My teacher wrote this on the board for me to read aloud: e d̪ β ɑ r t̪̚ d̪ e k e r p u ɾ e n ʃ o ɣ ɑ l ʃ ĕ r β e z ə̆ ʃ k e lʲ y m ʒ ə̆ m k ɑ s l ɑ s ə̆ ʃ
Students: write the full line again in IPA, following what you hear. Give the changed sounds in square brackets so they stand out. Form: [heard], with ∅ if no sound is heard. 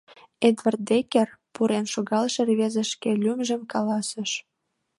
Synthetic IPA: e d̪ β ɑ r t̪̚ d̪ e k e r p u ɾ e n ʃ o ɣ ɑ l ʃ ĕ r β e z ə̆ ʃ k e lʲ y m ʒ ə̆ m k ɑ [∅] l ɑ s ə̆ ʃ